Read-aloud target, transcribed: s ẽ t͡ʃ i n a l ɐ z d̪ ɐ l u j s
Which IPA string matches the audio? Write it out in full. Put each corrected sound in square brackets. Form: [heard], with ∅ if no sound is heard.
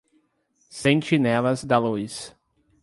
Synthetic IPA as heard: s ẽ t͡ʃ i n [ɛ] l ɐ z d̪ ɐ l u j s